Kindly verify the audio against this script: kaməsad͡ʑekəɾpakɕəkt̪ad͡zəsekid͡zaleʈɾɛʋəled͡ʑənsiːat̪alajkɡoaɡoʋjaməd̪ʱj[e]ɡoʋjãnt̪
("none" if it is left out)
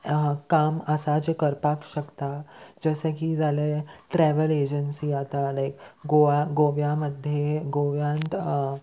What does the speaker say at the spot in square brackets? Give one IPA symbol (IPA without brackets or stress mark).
e